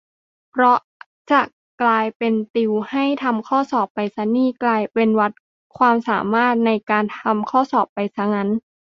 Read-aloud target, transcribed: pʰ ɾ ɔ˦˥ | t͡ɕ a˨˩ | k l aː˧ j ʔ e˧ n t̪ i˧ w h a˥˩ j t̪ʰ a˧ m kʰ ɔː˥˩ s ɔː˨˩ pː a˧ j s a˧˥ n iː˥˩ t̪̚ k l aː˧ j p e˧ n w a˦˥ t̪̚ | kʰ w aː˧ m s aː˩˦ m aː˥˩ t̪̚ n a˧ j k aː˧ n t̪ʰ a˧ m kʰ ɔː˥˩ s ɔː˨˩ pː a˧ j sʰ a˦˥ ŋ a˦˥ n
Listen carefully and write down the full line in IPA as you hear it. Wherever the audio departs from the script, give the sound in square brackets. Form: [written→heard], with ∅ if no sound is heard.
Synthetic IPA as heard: pʰ ɾ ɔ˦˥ | t͡ɕ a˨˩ | k l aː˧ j [ʔ→p] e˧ n t̪ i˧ w h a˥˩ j t̪ʰ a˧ m kʰ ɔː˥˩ s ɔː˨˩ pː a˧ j s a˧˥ n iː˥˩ [t̪̚→∅] k l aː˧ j p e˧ n w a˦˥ t̪̚ | kʰ w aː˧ m s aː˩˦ m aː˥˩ t̪̚ n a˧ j k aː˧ n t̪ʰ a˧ m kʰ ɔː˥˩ s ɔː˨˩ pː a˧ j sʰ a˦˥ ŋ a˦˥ n